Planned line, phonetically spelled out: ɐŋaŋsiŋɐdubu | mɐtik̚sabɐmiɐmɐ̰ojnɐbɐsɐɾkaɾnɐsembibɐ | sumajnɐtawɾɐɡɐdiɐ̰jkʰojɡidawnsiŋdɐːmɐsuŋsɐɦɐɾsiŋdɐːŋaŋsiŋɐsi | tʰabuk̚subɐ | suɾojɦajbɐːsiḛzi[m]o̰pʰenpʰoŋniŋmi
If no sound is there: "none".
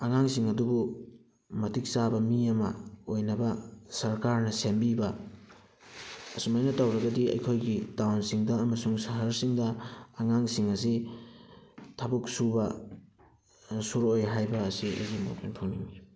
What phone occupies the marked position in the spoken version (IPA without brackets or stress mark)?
m